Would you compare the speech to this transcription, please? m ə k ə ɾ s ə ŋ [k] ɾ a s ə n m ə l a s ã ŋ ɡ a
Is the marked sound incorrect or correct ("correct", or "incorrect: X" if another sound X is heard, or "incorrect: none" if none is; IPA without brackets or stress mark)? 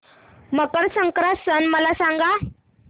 correct